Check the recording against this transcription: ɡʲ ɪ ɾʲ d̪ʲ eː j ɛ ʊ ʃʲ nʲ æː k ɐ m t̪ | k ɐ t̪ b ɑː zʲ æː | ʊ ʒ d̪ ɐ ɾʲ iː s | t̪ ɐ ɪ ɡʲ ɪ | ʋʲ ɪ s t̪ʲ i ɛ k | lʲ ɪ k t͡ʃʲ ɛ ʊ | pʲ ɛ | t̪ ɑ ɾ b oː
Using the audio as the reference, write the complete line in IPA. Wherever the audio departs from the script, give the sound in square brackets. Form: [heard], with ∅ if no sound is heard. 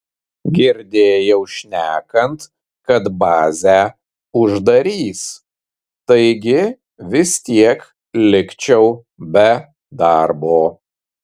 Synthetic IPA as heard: ɡʲ ɪ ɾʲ d̪ʲ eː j ɛ ʊ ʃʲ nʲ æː k ɐ [n] t̪ | k ɐ t̪ b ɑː zʲ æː | ʊ ʒ d̪ ɐ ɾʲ iː s | t̪ ɐ ɪ ɡʲ ɪ | ʋʲ ɪ s t̪ʲ i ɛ k | lʲ ɪ k t͡ʃʲ ɛ ʊ | [bʲ] ɛ | [d̪] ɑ ɾ b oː

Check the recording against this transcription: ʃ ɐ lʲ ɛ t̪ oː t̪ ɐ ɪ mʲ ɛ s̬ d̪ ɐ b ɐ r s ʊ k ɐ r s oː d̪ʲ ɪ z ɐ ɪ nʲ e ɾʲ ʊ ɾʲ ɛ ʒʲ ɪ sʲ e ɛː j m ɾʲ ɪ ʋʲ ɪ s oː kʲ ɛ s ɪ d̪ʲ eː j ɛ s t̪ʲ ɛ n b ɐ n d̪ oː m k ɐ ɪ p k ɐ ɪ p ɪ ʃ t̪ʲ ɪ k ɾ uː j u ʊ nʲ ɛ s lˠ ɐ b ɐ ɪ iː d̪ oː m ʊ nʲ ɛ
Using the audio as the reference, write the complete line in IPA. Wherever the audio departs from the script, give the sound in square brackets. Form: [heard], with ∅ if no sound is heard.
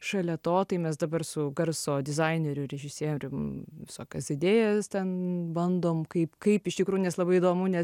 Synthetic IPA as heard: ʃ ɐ lʲ ɛ t̪ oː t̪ ɐ ɪ mʲ ɛ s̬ d̪ ɐ b ɐ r s ʊ [ɡ] ɐ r s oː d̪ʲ ɪ z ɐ ɪ nʲ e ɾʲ ʊ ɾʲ ɛ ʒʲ ɪ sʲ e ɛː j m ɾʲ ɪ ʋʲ ɪ s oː kʲ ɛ s ɪ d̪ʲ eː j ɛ s t̪ʲ ɛ n b ɐ n d̪ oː m k ɐ ɪ p k ɐ ɪ p ɪ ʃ t̪ʲ ɪ k ɾ uː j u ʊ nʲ ɛ s lˠ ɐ b ɐ ɪ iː d̪ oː m ʊ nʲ ɛ

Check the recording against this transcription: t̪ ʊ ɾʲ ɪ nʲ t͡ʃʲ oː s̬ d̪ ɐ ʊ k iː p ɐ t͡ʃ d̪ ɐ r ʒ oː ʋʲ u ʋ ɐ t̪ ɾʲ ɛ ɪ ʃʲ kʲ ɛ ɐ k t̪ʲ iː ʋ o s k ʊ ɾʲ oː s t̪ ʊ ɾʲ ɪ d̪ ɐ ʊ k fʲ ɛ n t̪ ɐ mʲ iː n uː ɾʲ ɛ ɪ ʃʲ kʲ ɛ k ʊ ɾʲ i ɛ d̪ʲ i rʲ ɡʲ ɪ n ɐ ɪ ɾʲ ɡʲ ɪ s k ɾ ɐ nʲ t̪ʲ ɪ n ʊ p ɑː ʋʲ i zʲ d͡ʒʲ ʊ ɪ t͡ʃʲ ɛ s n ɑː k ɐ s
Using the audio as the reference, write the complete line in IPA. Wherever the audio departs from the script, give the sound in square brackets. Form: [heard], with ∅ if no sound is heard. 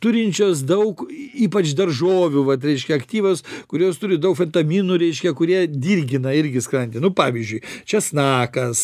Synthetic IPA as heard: t̪ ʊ ɾʲ ɪ nʲ t͡ʃʲ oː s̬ d̪ ɐ ʊ k iː p ɐ t͡ʃ d̪ ɐ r ʒ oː ʋʲ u ʋ ɐ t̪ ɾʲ ɛ ɪ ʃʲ kʲ ɛ ɐ k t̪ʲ iː ʋ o s k ʊ ɾʲ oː s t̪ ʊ ɾʲ ɪ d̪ ɐ ʊ k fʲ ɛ n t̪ ɐ mʲ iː n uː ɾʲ ɛ ɪ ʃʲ kʲ ɛ k ʊ ɾʲ i ɛ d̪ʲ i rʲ ɡʲ ɪ n ɐ ɪ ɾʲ ɡʲ ɪ s k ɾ ɐ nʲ t̪ʲ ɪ n ʊ p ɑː ʋʲ i zʲ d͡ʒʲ ʊ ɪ t͡ʃʲ ɛ s n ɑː k ɐ s

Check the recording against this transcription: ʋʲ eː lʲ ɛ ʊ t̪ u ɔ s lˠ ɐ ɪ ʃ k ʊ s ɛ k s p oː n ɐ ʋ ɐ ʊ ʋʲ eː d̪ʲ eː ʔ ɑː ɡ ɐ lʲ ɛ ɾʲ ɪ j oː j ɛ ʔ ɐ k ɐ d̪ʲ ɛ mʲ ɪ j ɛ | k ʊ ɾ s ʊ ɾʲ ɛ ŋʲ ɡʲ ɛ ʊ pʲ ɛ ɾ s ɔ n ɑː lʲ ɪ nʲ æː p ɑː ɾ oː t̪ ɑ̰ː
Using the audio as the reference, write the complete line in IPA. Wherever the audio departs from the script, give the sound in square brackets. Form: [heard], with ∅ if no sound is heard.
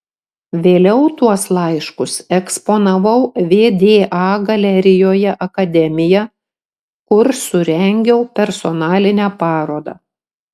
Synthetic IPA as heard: ʋʲ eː lʲ ɛ ʊ t̪ u ɔ s lˠ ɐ ɪ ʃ k ʊ s ɛ k s p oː n ɐ ʋ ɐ ʊ ʋʲ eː d̪ʲ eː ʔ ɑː ɡ ɐ lʲ ɛ ɾʲ ɪ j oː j ɛ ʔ ɐ k ɐ d̪ʲ ɛ mʲ ɪ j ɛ | k ʊ ɾ s ʊ ɾʲ ɛ ŋʲ ɡʲ ɛ ʊ pʲ ɛ ɾ s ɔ n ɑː lʲ ɪ nʲ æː p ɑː ɾ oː [d̪] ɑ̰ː

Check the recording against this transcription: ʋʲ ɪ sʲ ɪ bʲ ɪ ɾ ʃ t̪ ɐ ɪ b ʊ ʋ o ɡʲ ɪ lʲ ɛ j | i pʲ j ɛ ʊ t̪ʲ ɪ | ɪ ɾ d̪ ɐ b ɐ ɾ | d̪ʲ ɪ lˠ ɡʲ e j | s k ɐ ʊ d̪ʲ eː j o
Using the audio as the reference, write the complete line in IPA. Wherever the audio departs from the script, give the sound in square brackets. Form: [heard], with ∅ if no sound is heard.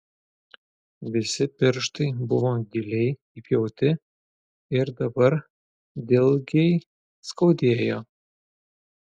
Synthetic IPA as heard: ʋʲ ɪ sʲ ɪ [pʲ] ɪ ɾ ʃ t̪ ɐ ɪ b ʊ ʋ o ɡʲ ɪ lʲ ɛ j | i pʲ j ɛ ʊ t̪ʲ ɪ | ɪ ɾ d̪ ɐ b ɐ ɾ | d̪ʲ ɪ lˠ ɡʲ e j | s k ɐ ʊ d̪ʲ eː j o

